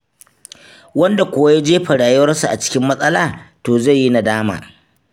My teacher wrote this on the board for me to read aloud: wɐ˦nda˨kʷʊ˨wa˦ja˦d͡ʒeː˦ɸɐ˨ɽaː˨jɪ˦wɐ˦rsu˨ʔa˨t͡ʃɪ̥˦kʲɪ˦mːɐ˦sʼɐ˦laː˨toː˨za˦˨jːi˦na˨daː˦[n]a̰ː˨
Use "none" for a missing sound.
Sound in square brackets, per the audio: m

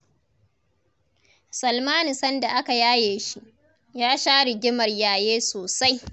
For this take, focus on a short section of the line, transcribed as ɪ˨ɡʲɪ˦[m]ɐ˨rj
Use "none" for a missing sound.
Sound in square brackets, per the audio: m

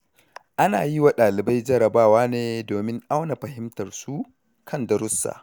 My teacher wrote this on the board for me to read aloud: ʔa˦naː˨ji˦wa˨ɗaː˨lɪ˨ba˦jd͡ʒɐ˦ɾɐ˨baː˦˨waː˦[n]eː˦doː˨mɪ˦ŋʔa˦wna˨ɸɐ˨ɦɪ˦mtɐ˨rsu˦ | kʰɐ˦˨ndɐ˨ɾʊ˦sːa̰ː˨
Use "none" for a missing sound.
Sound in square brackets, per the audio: n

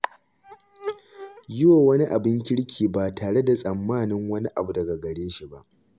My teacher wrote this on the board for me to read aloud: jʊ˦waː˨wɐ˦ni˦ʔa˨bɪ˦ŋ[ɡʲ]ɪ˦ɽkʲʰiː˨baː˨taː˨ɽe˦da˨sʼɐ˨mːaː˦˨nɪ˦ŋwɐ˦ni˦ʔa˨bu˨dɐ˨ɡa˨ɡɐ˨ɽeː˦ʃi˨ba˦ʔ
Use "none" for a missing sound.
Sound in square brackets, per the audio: kʲ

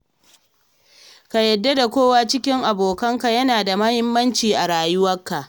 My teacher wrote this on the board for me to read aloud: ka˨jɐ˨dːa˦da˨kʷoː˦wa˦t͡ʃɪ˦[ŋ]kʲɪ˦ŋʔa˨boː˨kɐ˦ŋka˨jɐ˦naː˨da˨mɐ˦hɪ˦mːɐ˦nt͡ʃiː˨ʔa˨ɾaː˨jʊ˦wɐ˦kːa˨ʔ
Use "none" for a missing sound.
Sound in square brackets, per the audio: none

